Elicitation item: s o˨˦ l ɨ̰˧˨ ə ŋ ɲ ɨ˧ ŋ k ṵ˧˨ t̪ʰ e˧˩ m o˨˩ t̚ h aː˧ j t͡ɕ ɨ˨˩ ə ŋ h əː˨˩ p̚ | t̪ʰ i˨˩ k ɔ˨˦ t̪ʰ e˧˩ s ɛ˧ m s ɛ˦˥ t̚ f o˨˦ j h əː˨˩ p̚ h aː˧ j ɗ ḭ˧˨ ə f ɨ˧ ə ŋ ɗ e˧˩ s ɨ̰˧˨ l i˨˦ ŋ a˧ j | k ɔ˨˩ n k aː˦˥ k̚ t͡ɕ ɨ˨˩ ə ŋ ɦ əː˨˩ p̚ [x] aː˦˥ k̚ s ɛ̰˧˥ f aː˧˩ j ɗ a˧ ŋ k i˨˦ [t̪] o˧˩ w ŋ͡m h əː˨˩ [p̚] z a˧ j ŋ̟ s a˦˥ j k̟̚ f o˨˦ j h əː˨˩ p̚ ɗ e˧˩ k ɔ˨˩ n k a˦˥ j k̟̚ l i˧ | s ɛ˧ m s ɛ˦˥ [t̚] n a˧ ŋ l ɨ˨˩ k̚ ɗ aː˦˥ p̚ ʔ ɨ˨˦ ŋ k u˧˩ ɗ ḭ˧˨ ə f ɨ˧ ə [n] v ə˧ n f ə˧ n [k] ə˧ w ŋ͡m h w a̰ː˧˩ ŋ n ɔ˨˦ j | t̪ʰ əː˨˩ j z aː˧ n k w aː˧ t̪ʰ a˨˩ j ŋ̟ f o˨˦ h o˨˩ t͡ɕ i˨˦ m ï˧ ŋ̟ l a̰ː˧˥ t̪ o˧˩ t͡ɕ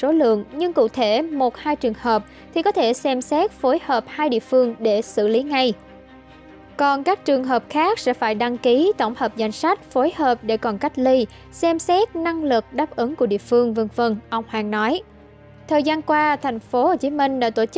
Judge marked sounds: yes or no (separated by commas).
yes, yes, yes, yes, no, no